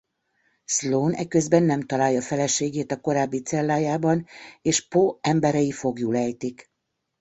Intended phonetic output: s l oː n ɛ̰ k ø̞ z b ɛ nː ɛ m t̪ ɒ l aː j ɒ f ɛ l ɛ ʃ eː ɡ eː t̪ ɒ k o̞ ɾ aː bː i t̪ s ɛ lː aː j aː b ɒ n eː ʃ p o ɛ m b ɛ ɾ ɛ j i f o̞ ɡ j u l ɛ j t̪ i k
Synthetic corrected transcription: s l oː n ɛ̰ k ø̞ z b ɛ nː ɛ m t̪ ɒ l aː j ɒ f ɛ l ɛ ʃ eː ɡ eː t̪ ɒ k o̞ ɾ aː bː i t̪ s ɛ lː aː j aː b ɒ n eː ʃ p o ɛ m b ɛ ɾ ɛ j i f o̞ ɡ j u l ɛ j t̪ i k